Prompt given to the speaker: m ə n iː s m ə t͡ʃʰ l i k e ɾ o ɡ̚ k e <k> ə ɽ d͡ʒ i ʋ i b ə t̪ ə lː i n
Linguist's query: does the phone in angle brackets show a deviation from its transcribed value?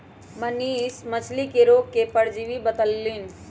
yes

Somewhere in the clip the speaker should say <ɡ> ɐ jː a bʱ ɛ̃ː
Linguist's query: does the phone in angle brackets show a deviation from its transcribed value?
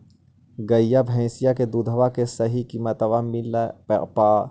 no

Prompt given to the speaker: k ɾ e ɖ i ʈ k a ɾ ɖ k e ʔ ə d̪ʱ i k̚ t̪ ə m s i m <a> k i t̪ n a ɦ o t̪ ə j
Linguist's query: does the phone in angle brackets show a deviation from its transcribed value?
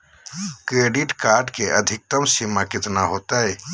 no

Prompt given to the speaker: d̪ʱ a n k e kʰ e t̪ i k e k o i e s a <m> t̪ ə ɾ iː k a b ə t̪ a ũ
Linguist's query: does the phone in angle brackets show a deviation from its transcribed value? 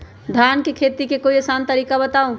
yes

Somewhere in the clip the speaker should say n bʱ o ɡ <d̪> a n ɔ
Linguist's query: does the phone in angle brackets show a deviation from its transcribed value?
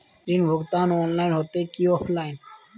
yes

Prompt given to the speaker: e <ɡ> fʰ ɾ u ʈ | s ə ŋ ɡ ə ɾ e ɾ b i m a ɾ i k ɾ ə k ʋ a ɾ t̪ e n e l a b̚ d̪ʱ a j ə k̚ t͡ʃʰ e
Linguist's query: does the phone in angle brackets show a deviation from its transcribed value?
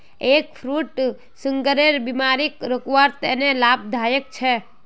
yes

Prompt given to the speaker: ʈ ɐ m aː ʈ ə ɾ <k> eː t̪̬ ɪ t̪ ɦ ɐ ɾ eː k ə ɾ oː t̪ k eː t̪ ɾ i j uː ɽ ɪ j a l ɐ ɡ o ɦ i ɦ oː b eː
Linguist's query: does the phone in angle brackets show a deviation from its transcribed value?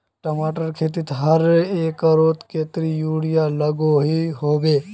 yes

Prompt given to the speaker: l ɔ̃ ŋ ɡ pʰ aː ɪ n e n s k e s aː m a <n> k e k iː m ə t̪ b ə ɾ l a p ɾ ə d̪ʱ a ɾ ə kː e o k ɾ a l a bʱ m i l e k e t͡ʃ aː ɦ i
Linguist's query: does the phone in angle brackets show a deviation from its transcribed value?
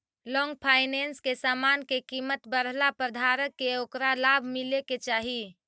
no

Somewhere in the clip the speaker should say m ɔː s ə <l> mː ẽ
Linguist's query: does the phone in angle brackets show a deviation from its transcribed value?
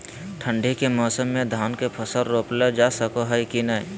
yes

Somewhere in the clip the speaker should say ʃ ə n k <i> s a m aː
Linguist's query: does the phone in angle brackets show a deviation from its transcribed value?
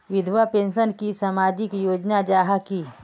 no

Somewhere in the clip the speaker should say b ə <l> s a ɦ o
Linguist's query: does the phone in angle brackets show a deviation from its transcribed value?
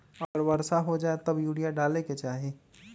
yes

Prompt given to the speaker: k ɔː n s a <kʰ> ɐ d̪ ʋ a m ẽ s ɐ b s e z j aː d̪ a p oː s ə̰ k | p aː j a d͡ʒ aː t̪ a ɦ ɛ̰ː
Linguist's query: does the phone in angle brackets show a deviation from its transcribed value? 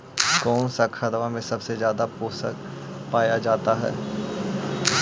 no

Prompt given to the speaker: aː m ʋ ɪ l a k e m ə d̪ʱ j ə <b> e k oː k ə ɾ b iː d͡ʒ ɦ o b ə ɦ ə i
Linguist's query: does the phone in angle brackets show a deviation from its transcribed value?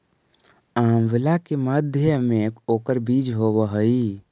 yes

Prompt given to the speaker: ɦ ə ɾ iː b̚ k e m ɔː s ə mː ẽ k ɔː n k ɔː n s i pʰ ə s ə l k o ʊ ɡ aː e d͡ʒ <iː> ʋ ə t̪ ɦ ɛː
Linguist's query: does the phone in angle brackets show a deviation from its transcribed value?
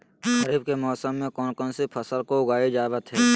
yes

